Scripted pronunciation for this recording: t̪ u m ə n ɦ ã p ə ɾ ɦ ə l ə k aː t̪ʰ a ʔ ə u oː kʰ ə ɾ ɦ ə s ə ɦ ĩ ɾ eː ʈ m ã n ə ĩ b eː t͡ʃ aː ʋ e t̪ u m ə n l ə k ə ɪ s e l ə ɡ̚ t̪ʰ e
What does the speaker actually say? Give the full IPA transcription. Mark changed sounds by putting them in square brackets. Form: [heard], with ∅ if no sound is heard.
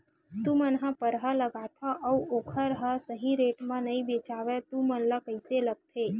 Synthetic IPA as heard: t̪ u m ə n ɦ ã p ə ɾ ɦ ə l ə [ɡ] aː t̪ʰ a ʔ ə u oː kʰ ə ɾ ɦ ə s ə ɦ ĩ ɾ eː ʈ m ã n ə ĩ b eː t͡ʃ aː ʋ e t̪ u m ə n l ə k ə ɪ s e l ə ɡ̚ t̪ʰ e

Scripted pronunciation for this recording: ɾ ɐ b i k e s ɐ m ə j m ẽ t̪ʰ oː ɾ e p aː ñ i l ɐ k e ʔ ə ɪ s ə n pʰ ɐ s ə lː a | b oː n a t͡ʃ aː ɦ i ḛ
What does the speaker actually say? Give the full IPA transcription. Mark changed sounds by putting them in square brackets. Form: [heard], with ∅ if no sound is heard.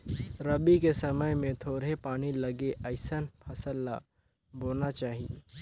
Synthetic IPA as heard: ɾ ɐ b i k e s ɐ m ə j m ẽ t̪ʰ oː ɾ e p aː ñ i l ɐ [ɡ] e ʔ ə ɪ s ə n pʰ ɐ s ə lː a | b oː n a t͡ʃ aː ɦ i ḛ

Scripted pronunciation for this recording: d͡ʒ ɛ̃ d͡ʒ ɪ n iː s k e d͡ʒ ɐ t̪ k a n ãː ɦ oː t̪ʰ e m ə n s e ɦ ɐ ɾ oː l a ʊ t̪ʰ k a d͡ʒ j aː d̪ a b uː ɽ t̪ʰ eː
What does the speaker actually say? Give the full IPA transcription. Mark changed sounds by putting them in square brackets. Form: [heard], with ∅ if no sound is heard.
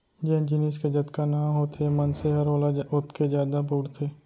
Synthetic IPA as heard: d͡ʒ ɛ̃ d͡ʒ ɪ n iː s k e d͡ʒ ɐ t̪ k a n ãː ɦ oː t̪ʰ e m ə n s e ɦ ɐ ɾ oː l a ʊ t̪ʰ k [e] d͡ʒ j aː d̪ a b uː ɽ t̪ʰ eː

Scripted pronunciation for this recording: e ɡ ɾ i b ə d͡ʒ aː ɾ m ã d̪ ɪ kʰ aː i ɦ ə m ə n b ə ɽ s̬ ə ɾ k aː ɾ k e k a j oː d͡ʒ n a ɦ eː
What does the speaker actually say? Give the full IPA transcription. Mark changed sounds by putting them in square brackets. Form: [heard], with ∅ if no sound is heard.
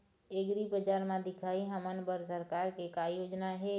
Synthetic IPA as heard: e ɡ ɾ i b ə d͡ʒ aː ɾ m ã d̪ ɪ kʰ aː i ɦ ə m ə n b ə [ɾ] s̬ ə ɾ k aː ɾ k e k a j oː d͡ʒ n a ɦ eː

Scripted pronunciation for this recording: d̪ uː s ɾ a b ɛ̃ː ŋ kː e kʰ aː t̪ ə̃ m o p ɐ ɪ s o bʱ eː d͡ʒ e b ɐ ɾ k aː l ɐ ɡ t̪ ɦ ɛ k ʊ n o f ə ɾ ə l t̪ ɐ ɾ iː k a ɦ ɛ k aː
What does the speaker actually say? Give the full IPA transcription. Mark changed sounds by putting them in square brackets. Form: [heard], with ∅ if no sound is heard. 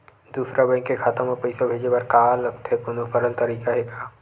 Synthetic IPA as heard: d̪ uː s ɾ a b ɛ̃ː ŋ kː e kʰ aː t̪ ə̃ m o p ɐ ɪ s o bʱ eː d͡ʒ e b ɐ ɾ k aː l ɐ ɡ t̪ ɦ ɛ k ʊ n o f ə ɾ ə l t̪ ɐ ɾ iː k a ɦ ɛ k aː

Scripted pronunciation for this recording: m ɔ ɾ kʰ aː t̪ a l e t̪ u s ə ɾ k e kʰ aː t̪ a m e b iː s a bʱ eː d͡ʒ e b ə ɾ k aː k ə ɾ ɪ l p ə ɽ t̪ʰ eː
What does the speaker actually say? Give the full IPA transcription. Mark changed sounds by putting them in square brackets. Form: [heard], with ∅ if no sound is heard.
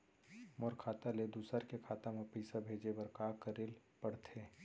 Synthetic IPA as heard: m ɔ ɾ kʰ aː t̪ a l e [d̪] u s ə ɾ k e kʰ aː t̪ a m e [p] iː s a bʱ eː d͡ʒ e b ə ɾ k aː k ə ɾ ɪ l p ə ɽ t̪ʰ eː

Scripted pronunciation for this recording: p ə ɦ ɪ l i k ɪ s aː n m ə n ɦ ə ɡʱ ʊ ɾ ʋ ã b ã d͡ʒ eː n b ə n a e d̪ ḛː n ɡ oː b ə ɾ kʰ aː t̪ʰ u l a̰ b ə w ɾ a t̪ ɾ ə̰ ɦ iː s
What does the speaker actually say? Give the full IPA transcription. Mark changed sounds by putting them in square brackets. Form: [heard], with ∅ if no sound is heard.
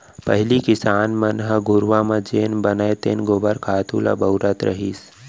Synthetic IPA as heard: p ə ɦ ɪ l i k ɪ s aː n m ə n ɦ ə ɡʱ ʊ ɾ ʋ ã [m] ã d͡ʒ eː n b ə n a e [t̪] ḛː n ɡ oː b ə ɾ kʰ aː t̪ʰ u l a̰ b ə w ɾ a t̪ ɾ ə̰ ɦ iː s

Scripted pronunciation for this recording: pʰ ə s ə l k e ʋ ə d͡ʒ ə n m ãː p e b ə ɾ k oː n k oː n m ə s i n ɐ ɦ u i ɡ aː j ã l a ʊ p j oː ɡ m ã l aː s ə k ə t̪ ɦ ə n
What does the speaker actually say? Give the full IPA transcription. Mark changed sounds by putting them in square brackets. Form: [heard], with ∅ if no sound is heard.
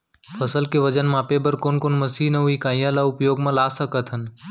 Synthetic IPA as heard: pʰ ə s ə l k e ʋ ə d͡ʒ ə n m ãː p e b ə ɾ k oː n k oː n m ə s i n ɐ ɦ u i [k] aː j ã l a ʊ p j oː ɡ m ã l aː s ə k ə t̪ ɦ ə n

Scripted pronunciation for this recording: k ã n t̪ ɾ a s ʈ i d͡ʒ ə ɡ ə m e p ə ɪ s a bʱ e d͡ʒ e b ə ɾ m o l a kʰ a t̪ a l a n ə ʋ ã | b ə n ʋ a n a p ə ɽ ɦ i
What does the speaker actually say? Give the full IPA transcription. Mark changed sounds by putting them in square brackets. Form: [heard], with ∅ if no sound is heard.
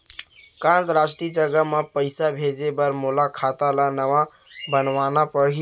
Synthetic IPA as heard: k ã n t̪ ɾ a s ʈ i d͡ʒ ə ɡ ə m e p ə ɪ s a bʱ e d͡ʒ e b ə ɾ m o l a kʰ a t̪ a l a n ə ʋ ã | b ə n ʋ a n a p ə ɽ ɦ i

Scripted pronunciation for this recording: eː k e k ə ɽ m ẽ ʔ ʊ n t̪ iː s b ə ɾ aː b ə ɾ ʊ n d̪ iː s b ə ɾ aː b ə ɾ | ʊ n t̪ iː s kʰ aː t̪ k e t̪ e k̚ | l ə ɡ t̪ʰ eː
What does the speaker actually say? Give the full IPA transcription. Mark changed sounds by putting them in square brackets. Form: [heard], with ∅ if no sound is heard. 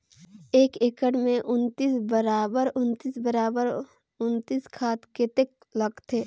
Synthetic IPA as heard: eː k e k ə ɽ m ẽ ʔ ʊ n t̪ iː s b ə ɾ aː b ə ɾ ʊ n [t̪] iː s b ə ɾ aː b ə ɾ | ʊ n t̪ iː s kʰ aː t̪ k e t̪ e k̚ | l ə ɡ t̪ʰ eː

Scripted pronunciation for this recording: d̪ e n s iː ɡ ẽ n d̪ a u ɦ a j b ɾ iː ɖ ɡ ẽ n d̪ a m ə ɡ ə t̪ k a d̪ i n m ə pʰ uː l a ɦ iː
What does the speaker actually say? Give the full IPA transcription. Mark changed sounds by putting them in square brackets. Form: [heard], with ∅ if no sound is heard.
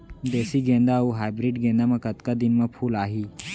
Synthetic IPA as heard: d̪ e [∅] s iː ɡ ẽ n d̪ a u ɦ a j b ɾ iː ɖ ɡ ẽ n d̪ a m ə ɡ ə t̪ k a d̪ i n m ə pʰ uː l a ɦ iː

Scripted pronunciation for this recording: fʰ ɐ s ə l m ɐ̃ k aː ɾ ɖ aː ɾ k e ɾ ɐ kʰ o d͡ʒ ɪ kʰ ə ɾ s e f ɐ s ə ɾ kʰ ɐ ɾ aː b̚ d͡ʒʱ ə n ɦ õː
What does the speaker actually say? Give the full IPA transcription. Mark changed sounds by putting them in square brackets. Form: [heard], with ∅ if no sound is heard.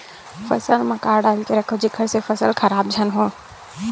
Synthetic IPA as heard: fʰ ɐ s ə l m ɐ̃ k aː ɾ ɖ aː [l] k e ɾ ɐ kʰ o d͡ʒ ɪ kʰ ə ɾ s e f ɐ s ə [l] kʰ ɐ ɾ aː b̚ d͡ʒʱ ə n ɦ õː

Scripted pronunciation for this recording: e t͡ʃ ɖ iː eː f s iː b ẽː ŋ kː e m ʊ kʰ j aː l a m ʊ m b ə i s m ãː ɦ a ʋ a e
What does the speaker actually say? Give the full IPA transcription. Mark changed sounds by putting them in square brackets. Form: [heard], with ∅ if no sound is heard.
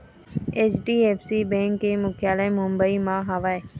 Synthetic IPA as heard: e t͡ʃ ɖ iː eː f s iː b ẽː ŋ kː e m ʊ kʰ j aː l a m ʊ m b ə i [∅] m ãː ɦ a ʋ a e

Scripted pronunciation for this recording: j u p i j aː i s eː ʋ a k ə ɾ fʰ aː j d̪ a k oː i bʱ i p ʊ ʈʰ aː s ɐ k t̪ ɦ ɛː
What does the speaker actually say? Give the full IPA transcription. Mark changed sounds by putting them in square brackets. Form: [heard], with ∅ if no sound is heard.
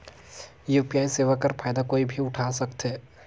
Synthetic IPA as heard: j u p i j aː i s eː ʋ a k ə ɾ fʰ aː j d̪ a k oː i bʱ i [∅] ʊ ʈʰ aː s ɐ k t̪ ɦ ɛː

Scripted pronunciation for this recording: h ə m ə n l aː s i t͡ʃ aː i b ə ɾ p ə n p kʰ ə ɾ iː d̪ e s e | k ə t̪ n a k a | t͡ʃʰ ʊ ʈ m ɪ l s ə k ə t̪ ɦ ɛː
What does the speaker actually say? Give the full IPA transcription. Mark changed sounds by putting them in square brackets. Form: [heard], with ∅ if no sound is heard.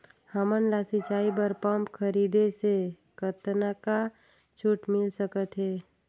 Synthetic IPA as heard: h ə m ə n l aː s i t͡ʃ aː i b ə ɾ p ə [m] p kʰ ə ɾ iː d̪ e s e | k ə t̪ n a k a | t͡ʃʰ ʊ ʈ m ɪ l s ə k ə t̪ ɦ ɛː

